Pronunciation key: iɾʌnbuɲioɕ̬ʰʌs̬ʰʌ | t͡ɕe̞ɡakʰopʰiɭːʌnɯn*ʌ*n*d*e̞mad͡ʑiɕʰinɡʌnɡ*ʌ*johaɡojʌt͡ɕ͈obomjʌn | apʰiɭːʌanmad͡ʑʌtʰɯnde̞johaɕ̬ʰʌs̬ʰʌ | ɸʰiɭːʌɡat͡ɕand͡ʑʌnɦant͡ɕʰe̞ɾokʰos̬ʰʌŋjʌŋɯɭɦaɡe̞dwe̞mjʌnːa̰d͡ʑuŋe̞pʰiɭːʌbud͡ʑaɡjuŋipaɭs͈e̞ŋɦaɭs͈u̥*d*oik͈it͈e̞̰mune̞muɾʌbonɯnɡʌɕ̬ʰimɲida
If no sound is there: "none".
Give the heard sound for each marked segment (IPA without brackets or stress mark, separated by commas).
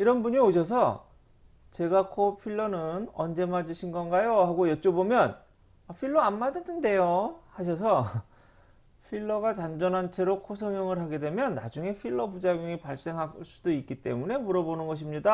ʌ, d͡ʑ, a, d